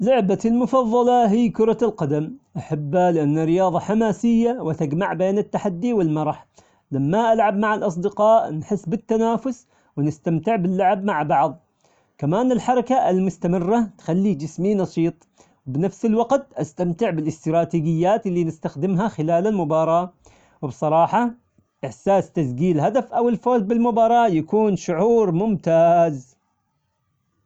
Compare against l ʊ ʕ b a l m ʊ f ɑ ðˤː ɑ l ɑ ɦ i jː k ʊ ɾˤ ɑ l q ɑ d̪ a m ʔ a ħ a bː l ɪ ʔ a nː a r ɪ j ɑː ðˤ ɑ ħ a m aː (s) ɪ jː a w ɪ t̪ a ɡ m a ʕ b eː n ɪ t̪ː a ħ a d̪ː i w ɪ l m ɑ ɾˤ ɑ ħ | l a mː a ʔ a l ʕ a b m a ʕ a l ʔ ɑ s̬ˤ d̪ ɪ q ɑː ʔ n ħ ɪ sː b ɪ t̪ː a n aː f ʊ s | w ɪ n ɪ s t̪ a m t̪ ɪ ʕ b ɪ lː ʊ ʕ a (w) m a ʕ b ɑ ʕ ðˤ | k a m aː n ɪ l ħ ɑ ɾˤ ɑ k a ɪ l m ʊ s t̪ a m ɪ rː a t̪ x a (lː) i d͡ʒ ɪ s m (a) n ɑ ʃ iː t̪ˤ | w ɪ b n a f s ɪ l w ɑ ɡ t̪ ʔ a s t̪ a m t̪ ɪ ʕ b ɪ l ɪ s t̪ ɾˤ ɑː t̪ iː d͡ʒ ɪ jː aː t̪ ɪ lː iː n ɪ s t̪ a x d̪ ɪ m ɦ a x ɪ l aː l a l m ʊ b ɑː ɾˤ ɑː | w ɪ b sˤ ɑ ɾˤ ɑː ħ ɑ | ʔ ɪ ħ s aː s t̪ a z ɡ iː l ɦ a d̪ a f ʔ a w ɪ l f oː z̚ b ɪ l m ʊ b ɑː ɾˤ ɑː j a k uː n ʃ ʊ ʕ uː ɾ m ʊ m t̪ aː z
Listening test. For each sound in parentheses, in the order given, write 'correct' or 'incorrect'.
correct, incorrect: b, correct, incorrect: i

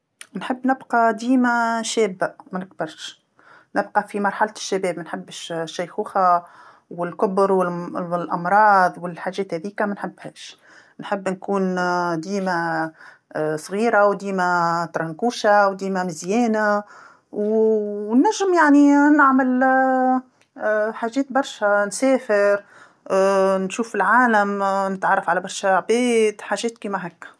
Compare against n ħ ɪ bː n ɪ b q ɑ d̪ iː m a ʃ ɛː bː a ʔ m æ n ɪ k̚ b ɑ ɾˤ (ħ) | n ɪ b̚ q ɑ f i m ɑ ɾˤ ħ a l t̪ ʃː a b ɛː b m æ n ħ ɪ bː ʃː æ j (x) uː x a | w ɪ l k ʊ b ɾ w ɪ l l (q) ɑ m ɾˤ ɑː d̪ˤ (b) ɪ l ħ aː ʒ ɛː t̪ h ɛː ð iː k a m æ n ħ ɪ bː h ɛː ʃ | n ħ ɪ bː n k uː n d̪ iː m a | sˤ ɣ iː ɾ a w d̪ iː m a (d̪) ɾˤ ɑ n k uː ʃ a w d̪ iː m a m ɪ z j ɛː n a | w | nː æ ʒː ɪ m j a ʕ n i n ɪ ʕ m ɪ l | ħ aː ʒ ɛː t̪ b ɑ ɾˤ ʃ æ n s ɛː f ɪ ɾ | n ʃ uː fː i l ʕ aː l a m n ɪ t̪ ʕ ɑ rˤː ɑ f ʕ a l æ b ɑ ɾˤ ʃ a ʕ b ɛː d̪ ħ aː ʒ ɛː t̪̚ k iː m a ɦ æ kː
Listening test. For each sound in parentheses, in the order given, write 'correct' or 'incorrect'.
incorrect: ʃ, correct, incorrect: ʔ, incorrect: w, incorrect: t̪

